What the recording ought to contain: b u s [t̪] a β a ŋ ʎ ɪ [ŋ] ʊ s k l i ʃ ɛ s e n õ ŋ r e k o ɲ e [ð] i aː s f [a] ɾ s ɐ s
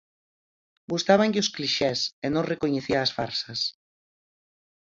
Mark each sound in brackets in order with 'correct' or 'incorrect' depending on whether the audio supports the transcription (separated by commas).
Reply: correct, incorrect, incorrect, correct